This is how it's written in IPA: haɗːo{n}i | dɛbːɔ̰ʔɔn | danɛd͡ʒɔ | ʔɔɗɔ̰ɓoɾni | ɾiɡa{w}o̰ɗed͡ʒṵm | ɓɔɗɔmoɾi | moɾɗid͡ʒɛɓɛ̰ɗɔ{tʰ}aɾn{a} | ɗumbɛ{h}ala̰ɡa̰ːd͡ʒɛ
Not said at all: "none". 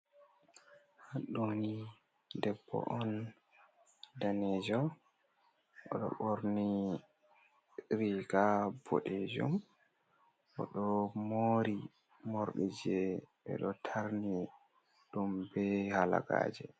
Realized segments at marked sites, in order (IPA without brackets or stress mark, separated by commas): n, b, tʰ, i, h